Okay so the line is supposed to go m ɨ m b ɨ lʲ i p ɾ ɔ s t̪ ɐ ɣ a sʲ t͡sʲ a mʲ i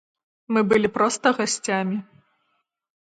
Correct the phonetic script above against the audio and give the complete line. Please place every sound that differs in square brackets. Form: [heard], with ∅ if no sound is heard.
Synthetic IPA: m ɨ [∅] b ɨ lʲ i p ɾ ɔ s t̪ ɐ ɣ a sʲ t͡sʲ a mʲ i